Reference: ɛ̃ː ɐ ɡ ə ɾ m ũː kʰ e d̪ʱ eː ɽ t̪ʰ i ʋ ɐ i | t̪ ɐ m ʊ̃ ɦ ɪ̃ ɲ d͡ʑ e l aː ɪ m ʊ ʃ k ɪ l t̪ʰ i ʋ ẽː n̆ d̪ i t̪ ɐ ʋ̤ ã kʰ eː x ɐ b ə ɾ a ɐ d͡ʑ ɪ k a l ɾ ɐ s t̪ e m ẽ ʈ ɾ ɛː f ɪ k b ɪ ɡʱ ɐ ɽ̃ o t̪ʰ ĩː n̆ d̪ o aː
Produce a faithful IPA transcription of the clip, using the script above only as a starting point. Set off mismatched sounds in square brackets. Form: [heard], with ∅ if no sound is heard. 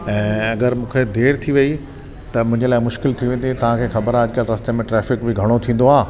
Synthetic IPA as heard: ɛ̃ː ɐ ɡ ə ɾ m ũː kʰ e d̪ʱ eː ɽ t̪ʰ i ʋ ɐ i | t̪ ɐ m ʊ̃ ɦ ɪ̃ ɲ d͡ʑ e l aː ɪ m ʊ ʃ k ɪ l t̪ʰ i ʋ ẽː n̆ d̪ i t̪ ɐ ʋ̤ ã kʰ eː x ɐ b ə ɾ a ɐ d͡ʑ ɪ k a l ɾ ɐ s t̪ e m ẽ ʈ ɾ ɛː f ɪ k b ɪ ɡʱ ɐ ɽ̃ o t̪ʰ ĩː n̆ d̪ o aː

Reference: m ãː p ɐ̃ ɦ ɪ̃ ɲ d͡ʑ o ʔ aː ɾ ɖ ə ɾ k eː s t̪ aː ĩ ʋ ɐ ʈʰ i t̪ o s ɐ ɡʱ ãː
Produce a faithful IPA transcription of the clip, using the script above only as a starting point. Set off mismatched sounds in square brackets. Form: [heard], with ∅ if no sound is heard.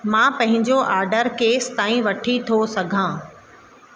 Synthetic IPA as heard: m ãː p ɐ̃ ɦ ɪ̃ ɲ d͡ʑ o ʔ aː ɾ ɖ ə ɾ k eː s t̪ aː ĩ ʋ ɐ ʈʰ i [t̪ʰ] o s ɐ ɡʱ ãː

